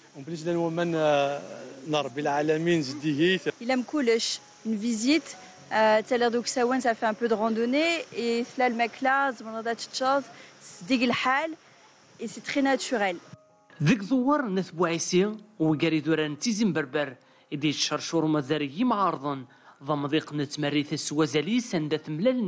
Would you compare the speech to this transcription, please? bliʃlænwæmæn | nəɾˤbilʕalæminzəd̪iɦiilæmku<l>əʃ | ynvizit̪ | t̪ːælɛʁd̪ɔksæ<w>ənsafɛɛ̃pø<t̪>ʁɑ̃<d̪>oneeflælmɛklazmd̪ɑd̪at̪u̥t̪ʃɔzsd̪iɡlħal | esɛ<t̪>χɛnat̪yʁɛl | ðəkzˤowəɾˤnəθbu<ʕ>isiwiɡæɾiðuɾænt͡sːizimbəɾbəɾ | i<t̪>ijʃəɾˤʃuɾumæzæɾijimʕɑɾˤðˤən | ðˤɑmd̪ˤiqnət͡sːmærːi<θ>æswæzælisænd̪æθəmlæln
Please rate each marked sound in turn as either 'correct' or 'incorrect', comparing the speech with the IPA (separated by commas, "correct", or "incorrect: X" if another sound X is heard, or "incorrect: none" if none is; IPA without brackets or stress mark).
correct, correct, incorrect: d̪, correct, correct, correct, incorrect: d̪, correct